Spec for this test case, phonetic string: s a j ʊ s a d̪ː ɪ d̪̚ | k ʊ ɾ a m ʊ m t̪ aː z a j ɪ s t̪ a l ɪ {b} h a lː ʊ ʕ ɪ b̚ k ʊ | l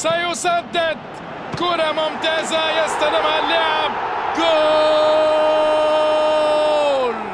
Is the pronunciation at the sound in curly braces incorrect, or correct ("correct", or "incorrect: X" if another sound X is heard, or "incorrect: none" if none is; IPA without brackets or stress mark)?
incorrect: m